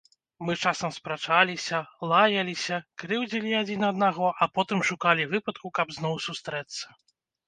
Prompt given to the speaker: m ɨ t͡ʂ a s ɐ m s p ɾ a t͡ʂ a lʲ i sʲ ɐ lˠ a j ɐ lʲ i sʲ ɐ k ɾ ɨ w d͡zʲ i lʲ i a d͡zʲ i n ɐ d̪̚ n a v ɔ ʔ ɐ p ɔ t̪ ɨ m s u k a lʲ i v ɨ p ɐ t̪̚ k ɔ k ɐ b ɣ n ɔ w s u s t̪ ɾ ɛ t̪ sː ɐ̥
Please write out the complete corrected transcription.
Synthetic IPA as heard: m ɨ t͡ʂ a s ɐ m s p ɾ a t͡ʂ a lʲ i sʲ ɐ lˠ a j ɐ lʲ i sʲ ɐ k ɾ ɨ w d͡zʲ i lʲ i a d͡zʲ i n ɐ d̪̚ n a ɣ ɔ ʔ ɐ p ɔ t̪ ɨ m ʂ u k a lʲ i v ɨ p ɐ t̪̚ k u k ɐ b z n ɔ w s u s t̪ ɾ ɛ t̪ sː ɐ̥